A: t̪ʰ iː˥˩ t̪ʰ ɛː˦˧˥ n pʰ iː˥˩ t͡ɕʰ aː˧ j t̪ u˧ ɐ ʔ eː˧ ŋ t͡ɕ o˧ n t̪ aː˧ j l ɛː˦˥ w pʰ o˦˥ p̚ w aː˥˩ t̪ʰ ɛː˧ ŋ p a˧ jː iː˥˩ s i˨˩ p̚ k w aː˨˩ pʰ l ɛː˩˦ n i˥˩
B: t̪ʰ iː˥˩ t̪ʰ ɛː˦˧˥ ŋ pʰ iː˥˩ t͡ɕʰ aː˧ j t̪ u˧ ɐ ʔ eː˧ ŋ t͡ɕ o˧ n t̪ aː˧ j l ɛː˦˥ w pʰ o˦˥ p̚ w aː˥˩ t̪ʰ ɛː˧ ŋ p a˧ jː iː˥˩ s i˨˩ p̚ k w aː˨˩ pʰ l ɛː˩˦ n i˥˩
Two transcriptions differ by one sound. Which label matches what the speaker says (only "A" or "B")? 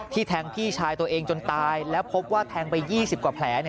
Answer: B